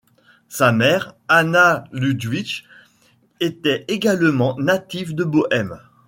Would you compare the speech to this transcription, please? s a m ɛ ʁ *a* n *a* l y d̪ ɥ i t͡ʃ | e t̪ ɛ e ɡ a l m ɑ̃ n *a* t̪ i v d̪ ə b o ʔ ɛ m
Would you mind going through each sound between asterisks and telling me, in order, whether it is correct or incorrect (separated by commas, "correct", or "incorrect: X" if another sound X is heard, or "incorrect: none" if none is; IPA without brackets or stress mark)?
correct, correct, correct